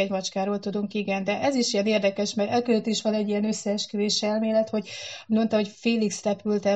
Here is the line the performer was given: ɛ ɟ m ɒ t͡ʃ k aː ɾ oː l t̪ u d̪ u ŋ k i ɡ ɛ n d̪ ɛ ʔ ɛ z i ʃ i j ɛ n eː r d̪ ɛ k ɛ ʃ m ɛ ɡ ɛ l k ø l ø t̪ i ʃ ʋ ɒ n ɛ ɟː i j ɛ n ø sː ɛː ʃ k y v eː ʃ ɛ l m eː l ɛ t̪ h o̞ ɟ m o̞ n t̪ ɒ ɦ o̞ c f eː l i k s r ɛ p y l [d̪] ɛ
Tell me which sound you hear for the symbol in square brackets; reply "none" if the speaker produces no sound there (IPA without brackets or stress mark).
t̪